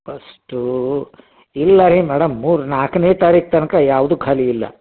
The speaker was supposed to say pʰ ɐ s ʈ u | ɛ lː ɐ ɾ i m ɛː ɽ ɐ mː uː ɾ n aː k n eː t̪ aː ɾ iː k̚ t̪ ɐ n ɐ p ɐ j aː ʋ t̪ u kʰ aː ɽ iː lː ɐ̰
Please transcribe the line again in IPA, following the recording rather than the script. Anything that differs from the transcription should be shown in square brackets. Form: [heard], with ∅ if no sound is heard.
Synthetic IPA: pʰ ɐ s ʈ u | [i] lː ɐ ɾ i m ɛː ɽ ɐ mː uː ɾ n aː k n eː t̪ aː ɾ iː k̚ t̪ ɐ n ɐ [k] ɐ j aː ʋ [d̪] u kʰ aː [l] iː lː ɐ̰